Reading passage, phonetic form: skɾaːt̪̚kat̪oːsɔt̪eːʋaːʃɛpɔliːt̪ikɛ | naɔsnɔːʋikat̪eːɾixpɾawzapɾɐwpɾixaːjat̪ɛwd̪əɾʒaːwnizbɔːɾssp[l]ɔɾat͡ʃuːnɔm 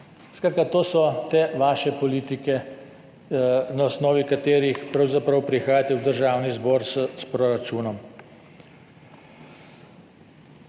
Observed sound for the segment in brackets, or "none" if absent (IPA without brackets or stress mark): ɾ